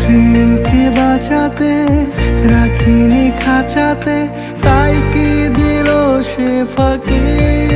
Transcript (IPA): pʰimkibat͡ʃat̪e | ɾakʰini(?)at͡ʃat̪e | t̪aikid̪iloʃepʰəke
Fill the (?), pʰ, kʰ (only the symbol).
kʰ